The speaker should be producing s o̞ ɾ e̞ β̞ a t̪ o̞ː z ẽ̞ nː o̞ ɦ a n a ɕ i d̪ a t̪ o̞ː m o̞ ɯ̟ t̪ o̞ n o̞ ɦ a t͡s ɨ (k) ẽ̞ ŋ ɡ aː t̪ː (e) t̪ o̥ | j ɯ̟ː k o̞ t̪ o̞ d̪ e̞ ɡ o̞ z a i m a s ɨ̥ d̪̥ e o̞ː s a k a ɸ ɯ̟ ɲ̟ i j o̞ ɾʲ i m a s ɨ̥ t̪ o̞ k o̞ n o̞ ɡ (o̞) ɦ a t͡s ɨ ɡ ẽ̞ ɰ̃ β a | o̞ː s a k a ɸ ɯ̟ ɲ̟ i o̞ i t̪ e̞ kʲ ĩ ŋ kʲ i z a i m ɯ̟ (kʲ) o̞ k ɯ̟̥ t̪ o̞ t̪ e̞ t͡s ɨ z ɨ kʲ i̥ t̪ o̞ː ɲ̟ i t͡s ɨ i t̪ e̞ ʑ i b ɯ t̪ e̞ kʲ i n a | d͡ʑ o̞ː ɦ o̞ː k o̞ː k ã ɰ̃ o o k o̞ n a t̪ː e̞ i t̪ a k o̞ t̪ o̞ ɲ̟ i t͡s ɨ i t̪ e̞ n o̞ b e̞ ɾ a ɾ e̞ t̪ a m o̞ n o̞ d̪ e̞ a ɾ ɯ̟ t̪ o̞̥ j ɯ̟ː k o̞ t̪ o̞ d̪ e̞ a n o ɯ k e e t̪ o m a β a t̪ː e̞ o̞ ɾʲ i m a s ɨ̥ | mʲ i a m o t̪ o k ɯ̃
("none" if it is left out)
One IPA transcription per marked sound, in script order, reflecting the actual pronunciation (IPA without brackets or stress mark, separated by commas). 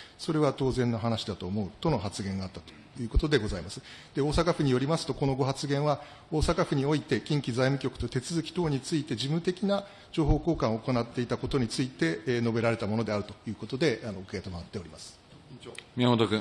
ɡ, a, o̞, kʲ